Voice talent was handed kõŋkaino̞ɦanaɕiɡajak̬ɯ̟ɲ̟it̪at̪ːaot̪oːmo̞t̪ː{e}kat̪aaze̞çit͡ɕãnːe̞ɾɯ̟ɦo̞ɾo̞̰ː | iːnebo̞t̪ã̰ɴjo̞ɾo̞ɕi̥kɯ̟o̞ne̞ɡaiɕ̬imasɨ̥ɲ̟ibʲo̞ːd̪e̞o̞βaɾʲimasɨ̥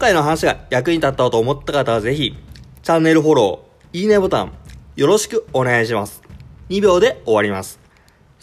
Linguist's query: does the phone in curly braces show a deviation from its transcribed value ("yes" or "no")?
yes